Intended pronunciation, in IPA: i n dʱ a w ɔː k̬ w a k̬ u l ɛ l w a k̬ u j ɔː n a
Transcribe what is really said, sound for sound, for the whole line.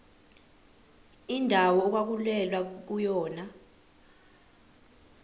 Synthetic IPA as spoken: i n dʱ a w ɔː k̬ w a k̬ u l ɛ l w a k̬ u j ɔː n a